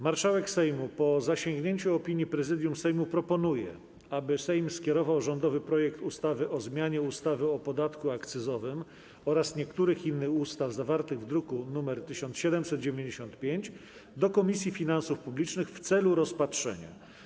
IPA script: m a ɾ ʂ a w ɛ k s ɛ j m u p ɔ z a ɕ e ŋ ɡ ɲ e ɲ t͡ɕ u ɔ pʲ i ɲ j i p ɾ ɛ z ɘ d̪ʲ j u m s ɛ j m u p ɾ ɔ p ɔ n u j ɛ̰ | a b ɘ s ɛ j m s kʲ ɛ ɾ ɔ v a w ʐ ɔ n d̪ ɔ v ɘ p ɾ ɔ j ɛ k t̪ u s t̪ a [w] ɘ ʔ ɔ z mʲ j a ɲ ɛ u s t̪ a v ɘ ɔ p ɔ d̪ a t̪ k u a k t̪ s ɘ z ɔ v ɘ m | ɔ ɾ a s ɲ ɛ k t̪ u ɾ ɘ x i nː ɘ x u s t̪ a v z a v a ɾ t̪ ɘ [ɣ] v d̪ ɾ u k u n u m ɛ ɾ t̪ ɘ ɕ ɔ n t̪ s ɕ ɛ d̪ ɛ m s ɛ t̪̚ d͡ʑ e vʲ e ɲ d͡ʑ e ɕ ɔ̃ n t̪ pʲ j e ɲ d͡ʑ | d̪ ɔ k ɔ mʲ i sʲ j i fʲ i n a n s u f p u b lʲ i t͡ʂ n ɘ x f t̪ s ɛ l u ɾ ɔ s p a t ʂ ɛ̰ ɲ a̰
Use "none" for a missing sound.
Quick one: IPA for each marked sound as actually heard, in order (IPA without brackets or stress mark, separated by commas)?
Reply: v, ɣ